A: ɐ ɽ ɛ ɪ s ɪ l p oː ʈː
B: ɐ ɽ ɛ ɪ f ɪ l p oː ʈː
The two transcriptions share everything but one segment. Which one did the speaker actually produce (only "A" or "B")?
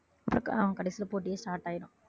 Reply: A